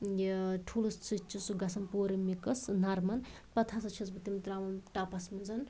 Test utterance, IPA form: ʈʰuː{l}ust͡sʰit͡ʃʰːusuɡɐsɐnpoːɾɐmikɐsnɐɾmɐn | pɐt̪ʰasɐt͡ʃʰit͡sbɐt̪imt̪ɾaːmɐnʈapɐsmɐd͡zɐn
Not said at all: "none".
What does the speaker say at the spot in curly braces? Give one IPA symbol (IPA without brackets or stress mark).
l